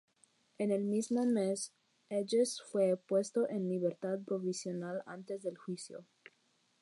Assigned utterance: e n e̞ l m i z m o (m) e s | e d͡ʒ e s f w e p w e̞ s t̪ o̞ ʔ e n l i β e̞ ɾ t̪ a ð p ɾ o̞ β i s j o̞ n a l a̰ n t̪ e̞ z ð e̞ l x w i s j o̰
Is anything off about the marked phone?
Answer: no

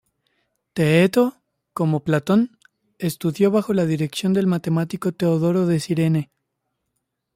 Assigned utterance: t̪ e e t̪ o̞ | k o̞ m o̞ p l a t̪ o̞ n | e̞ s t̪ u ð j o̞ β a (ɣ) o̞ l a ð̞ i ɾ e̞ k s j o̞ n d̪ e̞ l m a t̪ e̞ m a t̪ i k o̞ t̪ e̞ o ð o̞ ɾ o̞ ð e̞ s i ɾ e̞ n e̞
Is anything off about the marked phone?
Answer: yes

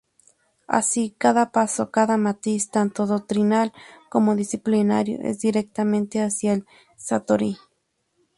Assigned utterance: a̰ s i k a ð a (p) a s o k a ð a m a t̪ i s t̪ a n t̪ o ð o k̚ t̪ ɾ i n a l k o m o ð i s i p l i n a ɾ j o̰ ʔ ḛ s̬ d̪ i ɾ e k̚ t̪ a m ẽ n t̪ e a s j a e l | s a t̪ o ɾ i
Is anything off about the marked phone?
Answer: no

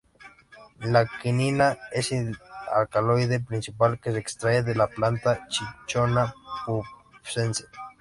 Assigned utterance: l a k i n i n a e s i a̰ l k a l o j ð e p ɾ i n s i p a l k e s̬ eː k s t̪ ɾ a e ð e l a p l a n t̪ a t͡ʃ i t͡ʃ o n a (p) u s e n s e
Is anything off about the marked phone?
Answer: no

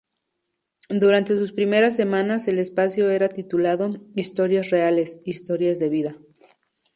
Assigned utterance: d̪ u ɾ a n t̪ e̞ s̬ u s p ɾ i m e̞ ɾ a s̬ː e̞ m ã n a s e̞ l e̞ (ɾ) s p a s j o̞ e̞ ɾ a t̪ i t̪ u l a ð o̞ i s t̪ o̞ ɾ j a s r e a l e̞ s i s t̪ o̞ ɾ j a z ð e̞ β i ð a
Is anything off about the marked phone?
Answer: yes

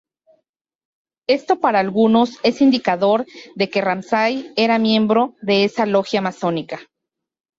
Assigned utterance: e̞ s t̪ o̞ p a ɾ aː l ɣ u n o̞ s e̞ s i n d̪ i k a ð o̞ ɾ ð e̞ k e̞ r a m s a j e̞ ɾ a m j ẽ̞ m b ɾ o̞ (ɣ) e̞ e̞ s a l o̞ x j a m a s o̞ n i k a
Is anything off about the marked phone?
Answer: yes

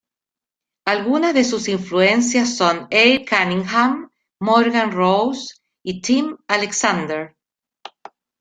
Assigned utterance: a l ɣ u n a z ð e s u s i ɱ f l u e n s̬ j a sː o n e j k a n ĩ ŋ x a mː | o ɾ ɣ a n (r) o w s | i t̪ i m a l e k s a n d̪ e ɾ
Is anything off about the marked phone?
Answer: no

